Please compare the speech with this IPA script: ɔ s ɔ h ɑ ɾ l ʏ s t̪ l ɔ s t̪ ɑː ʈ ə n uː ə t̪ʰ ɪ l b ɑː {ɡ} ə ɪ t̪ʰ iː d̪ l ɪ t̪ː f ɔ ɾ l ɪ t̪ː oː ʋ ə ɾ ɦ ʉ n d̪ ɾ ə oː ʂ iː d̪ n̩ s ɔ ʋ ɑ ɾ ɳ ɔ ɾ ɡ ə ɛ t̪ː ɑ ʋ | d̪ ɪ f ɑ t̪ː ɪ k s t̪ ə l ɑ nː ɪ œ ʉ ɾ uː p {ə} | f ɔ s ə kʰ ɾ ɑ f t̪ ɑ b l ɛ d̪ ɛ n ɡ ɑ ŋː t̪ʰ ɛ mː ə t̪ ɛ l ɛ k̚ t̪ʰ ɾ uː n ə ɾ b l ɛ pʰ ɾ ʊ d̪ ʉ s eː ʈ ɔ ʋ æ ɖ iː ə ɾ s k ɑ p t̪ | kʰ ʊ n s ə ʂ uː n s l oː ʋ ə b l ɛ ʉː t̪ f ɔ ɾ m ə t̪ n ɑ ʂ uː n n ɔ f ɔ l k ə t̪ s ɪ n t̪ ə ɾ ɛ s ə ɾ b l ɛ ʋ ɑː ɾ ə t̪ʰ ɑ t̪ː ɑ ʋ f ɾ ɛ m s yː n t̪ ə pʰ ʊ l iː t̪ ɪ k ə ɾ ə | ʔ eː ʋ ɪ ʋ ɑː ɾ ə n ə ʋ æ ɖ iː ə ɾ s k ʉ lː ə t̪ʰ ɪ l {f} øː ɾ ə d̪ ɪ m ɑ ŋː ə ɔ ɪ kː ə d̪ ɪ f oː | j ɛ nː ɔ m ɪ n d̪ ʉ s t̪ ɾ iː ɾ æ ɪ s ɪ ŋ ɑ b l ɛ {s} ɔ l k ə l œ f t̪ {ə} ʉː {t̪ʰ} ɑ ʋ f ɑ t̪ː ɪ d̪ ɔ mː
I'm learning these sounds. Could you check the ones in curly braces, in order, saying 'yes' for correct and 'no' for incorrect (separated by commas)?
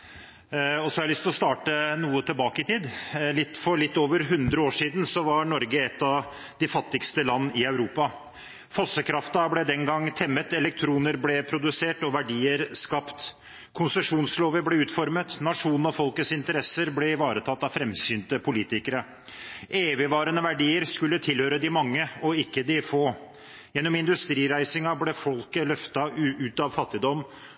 no, no, no, no, no, no